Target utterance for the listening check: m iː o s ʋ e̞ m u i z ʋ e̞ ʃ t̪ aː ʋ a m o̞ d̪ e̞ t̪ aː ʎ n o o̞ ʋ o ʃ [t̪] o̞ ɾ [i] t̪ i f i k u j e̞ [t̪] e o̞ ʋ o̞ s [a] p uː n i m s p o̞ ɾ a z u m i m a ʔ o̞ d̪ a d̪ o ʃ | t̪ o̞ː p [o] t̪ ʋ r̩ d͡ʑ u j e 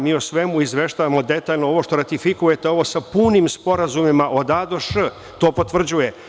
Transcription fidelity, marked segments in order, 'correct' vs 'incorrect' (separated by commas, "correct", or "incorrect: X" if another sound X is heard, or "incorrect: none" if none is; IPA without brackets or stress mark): correct, incorrect: a, correct, correct, correct